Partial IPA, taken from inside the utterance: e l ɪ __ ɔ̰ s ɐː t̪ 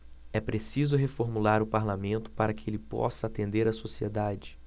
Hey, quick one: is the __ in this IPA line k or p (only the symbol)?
p